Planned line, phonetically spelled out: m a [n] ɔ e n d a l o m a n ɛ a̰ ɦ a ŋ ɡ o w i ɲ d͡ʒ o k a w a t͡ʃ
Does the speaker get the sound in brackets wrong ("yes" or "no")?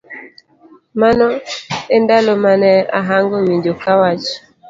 no